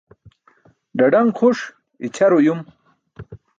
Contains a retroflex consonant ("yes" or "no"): yes